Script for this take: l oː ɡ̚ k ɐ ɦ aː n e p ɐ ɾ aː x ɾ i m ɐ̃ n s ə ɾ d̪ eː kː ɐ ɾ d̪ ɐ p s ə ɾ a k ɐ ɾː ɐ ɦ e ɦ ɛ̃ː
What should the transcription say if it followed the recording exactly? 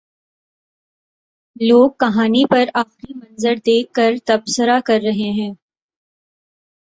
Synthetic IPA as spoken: l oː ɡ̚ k ɐ ɦ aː n i p ɐ ɾ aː x ɾ i m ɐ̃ n z ə ɾ d̪ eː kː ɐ ɾ t̪ ɐ b s ə ɾ a k ɐ ɾː ɐ ɦ e ɦ ɛ̃ː

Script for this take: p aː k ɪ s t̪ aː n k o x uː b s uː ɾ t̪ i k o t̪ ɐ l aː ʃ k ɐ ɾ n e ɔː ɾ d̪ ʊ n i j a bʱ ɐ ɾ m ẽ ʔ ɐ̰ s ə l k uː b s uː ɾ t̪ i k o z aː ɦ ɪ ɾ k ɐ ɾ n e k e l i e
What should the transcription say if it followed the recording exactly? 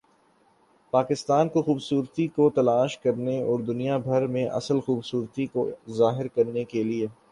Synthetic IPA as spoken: p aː k ɪ s t̪ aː n k o x uː b s uː ɾ t̪ i k o t̪ ɐ l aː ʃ k ɐ ɾ n e ɔː ɾ d̪ ʊ n i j a bʱ ɐ ɾ m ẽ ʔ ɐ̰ s ə l x uː b s uː ɾ t̪ i k o z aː ɦ ɪ ɾ k ɐ ɾ n e k e l i e

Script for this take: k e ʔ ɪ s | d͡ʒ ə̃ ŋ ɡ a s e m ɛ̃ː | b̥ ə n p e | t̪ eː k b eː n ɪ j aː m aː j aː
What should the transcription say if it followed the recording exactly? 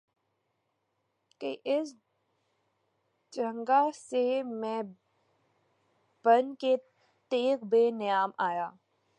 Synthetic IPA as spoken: k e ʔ ɪ s | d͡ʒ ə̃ ŋ ɡ a s e m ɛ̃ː | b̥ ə n k e | t̪ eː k b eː n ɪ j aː m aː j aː

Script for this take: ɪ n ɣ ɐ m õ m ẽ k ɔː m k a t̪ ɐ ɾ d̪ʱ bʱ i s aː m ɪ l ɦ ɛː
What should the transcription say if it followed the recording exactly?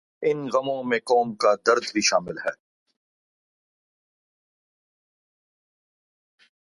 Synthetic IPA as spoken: ɪ n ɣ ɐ m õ m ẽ k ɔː m k a d̪ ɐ ɾ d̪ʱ bʱ i ʃ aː m ɪ l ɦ ɛː

